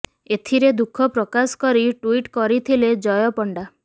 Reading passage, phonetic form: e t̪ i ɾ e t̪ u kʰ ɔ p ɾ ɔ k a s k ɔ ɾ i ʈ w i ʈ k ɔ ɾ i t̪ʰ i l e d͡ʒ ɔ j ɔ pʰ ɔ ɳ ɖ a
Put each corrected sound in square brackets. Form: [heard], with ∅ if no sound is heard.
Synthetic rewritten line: e [t̪ʰ] i ɾ e [d̪] u kʰ ɔ p ɾ ɔ k a s k ɔ ɾ i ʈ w i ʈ k ɔ ɾ i t̪ʰ i l e d͡ʒ ɔ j ɔ [p] ɔ ɳ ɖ a